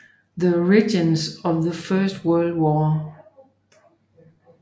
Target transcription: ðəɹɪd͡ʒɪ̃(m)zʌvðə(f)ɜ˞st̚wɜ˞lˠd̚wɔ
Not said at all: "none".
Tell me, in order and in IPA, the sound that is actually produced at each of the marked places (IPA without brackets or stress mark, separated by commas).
n, f